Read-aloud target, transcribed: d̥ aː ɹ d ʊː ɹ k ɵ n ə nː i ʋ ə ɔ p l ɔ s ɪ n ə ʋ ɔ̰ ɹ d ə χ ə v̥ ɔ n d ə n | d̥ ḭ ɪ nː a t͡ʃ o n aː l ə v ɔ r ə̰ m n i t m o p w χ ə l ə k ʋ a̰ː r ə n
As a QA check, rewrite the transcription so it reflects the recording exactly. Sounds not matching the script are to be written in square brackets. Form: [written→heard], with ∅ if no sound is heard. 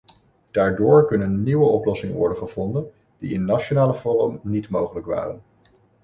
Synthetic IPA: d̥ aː ɹ d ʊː ɹ k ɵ n ə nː i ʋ ə ɔ p l ɔ s ɪ [n→ŋ] ə ʋ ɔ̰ ɹ d ə χ ə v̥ ɔ n d ə n | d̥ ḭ ɪ nː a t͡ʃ o n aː l ə v ɔ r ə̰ m n i t m o [p→∅] w χ ə l ə k ʋ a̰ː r ə n

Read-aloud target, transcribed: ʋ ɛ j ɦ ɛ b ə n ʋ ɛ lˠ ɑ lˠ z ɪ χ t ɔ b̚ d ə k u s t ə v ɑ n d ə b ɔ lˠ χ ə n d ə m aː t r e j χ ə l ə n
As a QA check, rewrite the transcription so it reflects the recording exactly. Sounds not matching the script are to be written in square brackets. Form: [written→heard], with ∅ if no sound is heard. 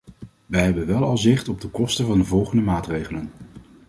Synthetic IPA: ʋ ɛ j ɦ ɛ b ə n ʋ ɛ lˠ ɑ lˠ z ɪ χ t ɔ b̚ d ə k [u→ɔ] s t ə v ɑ n d ə [b→v] ɔ lˠ χ ə n d ə m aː t r e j χ ə l ə n

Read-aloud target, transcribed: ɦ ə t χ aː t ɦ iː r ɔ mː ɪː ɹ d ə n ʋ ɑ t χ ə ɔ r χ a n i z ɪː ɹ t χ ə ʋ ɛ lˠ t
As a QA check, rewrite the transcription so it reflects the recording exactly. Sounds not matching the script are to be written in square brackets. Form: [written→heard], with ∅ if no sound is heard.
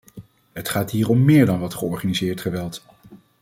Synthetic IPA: ɦ ə t χ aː t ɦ iː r ɔ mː ɪː ɹ d [ə→ɑ] n ʋ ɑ t χ ə ɔ [r→ɹ] χ a n i z ɪː ɹ t χ ə ʋ ɛ lˠ t

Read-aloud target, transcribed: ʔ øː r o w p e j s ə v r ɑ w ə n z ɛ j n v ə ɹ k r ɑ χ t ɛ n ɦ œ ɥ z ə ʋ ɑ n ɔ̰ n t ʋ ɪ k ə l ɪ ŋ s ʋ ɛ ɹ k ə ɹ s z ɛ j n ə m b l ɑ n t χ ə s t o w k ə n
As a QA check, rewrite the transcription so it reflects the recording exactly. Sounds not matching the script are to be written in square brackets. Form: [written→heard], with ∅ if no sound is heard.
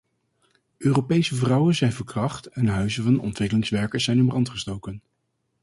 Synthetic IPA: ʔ øː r o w p e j s ə v r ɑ w ə n z ɛ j n v ə ɹ k r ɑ χ t ɛ n ɦ œ ɥ z ə [ʋ→v] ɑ n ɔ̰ n t ʋ ɪ k ə l ɪ ŋ s ʋ ɛ ɹ k ə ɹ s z ɛ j n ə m b [l→r] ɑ n t χ ə s t o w k ə n

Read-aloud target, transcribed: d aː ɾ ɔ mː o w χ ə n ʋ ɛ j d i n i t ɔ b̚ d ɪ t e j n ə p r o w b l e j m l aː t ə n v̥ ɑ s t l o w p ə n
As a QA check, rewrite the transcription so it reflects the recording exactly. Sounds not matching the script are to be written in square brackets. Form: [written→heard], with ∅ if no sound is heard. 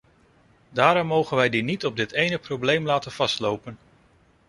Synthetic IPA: d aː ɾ ɔ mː o w χ ə n ʋ ɛ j d i n i t ɔ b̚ d ɪ t e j n ə p r o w b l e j m l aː t ə n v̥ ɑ s t l o w p ə n

